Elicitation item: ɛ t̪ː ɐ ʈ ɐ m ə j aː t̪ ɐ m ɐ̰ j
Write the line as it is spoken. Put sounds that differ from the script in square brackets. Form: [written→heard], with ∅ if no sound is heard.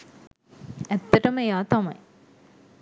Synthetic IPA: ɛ t̪ː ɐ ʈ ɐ m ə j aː t̪ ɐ m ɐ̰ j